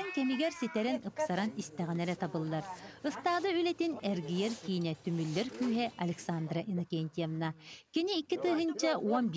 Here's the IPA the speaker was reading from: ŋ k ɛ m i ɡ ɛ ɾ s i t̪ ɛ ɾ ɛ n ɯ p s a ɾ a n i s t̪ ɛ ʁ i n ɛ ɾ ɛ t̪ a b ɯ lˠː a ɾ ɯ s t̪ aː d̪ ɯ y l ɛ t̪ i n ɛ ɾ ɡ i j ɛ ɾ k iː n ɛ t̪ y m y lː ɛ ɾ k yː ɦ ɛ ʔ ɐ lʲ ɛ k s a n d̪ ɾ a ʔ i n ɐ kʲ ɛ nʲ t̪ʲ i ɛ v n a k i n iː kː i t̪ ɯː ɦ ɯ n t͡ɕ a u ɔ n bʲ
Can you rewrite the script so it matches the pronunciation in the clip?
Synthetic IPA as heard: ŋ k ɛ m i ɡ ɛ ɾ s i t̪ ɛ ɾ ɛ n ɯ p s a ɾ a n i s t̪ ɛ ʁ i n ɛ ɾ ɛ t̪ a b ɯ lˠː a ɾ ɯ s t̪ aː d̪ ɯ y l ɛ t̪ i n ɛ ɾ ɡ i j ɛ ɾ k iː n ɛ t̪ y m y lː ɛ ɾ k yː ɦ ɛ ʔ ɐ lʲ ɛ k s a n d̪ ɾ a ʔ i n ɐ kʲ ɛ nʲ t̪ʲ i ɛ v n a k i n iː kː i t̪ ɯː ɦ ɯ n t͡ɕ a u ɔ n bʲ

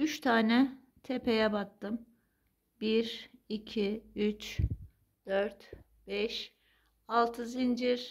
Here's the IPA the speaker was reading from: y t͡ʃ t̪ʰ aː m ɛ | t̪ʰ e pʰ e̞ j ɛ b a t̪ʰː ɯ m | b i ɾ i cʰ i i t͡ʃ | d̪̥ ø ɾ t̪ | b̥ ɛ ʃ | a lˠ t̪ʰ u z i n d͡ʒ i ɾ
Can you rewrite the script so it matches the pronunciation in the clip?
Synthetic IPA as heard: y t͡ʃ t̪ʰ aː n ɛ | t̪ʰ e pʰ e̞ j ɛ b a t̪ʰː ɯ m | b i ɾ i cʰ i y t͡ʃ | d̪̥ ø ɾ t̪ | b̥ ɛ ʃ | a lˠ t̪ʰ ɯ z i n d͡ʒ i ɾ

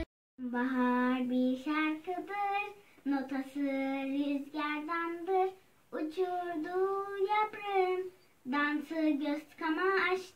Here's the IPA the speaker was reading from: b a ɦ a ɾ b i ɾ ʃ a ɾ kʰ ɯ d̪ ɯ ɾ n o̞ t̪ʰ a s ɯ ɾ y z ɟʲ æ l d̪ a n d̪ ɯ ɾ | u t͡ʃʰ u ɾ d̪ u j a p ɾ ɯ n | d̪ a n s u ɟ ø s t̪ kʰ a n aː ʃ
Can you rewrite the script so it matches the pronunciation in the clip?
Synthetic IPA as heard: b a ɦ a ɾ b i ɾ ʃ a ɾ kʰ ɯ d̪ ɯ ɾ n o̞ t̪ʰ a s ɯ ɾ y z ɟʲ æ ɾ d̪ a n d̪ ɯ ɾ | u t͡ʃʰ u ɾ d̪ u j a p ɾ ɯ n | d̪ a n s ɯ ɟ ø s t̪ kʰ a m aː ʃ

